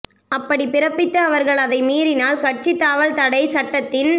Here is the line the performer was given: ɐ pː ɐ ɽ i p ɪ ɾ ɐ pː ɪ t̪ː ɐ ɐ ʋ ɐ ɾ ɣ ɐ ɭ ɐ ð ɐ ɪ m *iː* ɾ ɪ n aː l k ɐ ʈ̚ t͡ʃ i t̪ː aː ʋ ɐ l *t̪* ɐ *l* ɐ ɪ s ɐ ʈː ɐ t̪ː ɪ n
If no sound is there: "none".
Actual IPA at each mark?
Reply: iː, t̪, ɽ

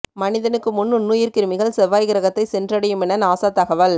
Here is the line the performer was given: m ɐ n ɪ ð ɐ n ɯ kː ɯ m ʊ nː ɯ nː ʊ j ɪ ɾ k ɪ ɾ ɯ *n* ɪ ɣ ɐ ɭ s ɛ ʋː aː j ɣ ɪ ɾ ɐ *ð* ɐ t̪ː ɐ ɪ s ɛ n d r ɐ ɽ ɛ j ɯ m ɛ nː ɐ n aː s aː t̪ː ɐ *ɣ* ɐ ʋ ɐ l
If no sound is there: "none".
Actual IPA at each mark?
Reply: m, ɣ, ɣ

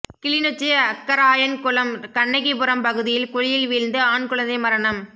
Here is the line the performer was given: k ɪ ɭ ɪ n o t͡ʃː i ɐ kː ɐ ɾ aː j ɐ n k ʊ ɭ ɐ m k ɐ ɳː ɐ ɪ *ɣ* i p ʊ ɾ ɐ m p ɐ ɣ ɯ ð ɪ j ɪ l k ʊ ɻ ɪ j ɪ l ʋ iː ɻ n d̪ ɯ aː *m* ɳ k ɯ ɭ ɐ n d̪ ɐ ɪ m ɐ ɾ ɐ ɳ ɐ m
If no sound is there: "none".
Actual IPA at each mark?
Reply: ɣ, none

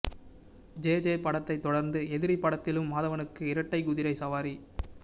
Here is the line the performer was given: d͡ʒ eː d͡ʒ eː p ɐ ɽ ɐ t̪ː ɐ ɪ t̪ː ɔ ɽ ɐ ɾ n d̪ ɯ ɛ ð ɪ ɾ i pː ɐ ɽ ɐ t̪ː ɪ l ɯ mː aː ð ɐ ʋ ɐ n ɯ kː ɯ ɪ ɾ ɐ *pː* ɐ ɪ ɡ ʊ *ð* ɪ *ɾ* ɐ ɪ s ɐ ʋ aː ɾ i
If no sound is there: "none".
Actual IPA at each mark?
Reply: ʈː, ð, ɾ

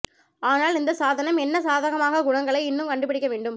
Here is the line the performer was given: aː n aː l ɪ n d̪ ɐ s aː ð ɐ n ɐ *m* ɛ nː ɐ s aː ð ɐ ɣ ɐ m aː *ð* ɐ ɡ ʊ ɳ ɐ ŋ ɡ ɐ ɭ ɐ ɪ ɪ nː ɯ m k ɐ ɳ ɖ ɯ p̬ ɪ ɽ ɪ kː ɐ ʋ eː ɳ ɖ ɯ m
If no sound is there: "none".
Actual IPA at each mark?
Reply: m, ɣ

